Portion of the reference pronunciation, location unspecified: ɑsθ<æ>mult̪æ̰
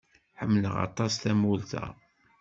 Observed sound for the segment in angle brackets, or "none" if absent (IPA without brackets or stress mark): æ